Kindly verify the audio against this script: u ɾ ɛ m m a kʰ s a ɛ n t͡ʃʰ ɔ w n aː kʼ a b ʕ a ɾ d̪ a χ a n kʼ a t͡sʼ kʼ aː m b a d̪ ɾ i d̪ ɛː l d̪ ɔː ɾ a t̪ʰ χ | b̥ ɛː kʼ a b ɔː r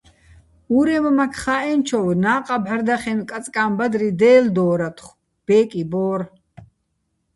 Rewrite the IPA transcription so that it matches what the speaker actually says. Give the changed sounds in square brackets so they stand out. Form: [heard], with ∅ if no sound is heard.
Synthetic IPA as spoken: u ɾ ɛ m m a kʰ [χ] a ɛ n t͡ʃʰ ɔ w n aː [qʼ] a b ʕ a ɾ d̪ a χ [ɛ] n kʼ a t͡sʼ kʼ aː m b a d̪ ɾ i d̪ ɛː l d̪ ɔː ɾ a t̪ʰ χ | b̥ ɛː kʼ [i] b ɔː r

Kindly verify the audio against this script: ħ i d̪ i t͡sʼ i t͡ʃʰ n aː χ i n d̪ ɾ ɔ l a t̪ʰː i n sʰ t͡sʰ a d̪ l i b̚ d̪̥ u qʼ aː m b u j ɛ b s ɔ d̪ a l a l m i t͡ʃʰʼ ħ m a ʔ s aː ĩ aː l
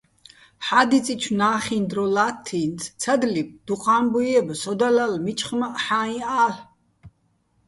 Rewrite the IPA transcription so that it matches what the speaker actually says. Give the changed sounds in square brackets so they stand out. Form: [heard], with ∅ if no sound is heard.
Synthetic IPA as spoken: ħ [a] d̪ i t͡sʼ i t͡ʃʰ n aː χ i n d̪ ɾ ɔ l a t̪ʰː i n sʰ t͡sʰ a d̪ l i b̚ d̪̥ u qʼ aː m b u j ɛ b s ɔ d̪ a l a l m i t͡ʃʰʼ [χ] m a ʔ [ħ] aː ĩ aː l

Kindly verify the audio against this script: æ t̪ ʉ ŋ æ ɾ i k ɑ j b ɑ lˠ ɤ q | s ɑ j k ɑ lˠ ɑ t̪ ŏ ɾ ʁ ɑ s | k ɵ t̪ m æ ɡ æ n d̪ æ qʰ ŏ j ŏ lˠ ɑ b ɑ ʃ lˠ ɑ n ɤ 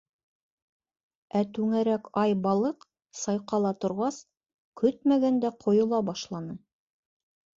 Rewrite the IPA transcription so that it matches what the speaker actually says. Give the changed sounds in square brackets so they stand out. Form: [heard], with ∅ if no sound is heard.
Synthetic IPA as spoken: æ t̪ ʉ ŋ æ ɾ [æ] k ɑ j b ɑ lˠ ɤ q | s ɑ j [q] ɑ lˠ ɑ t̪ ŏ ɾ ʁ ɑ s | k ɵ t̪ m æ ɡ æ n d̪ æ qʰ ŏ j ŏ lˠ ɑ b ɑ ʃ lˠ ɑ n ɤ

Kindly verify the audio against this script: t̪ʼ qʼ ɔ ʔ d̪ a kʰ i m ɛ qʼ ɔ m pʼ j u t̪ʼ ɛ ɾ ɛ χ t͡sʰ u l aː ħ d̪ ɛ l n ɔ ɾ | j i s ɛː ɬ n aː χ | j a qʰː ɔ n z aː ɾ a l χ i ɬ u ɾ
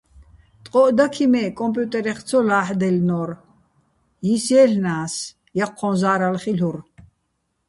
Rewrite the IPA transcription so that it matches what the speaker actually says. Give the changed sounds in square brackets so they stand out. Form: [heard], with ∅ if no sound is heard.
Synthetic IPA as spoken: t̪ʼ qʼ ɔ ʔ d̪ a kʰ i m ɛ [kʼ] ɔ m pʼ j u t̪ʼ ɛ ɾ ɛ χ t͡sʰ [ɔ] l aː ħ d̪ ɛ l n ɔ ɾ | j i s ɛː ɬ n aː [s] | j a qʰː ɔ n z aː ɾ a l χ i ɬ u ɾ

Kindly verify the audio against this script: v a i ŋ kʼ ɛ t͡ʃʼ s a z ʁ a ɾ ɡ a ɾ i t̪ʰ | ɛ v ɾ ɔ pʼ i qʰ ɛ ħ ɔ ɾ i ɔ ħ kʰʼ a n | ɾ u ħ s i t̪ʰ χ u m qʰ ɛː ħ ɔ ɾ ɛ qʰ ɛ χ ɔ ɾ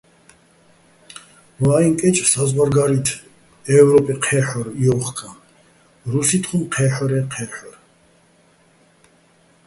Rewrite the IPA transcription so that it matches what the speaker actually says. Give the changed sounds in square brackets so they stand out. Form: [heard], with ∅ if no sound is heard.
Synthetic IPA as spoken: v a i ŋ kʼ ɛ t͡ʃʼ s a z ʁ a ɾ ɡ a ɾ i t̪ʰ | ɛ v ɾ ɔ pʼ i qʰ ɛ ħ ɔ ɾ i ɔ [χ] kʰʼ a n | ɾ u [∅] s i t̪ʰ χ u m qʰ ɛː ħ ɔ ɾ ɛ qʰ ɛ [ħ] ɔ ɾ

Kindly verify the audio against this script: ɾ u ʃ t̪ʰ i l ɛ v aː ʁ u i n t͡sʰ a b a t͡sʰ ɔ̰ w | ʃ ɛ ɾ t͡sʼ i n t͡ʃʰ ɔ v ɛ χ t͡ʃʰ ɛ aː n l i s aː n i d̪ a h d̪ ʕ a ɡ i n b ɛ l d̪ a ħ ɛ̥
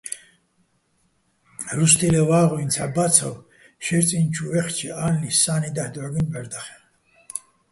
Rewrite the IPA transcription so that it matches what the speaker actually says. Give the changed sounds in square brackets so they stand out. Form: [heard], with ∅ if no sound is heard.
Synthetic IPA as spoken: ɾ u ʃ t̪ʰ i l ɛ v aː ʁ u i n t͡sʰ a b a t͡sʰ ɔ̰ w | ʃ ɛ ɾ t͡sʼ i n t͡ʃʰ [u] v ɛ χ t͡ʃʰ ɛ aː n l i s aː n i d̪ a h d̪ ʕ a ɡ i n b ɛ [ɾ] d̪ a [χ] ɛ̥

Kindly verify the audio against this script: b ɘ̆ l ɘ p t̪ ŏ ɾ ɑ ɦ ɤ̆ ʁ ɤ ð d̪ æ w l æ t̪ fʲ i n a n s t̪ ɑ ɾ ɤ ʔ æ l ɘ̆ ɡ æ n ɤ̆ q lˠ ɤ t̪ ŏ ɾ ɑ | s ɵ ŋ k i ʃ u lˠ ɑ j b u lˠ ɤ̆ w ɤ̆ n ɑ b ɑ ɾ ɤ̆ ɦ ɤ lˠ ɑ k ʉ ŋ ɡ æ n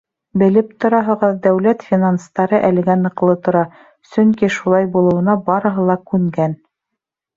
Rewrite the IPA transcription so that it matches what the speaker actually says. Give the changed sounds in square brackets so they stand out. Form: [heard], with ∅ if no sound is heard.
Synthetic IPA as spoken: b ɘ̆ l ɘ p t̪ ŏ ɾ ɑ ɦ ɤ̆ ʁ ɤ ð d̪ æ w l æ t̪ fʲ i n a n s t̪ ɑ ɾ ɤ ʔ æ l ɘ̆ ɡ æ n ɤ̆ q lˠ ɤ t̪ ŏ ɾ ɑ | s ɵ ŋ k i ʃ u lˠ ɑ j b u lˠ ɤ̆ w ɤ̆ n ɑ b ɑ ɾ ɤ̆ ɦ ɤ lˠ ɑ k ʉ ŋ ɡ æ n

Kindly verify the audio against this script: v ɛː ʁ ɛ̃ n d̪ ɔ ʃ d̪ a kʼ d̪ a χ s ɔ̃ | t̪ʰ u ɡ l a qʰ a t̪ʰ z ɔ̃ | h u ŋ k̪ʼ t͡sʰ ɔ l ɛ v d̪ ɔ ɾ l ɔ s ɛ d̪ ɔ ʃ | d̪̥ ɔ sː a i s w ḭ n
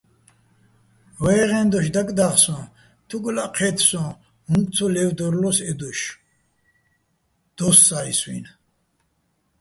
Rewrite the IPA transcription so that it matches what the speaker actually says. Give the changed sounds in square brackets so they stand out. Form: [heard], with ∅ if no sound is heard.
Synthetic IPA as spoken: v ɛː ʁ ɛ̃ n d̪ ɔ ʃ d̪ a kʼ d̪ a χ s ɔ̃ | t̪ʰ u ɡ l a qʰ [ɛ] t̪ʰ [s] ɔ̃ | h u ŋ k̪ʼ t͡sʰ ɔ l ɛ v d̪ ɔ ɾ l ɔ s ɛ d̪ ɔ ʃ | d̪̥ ɔ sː a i s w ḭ n

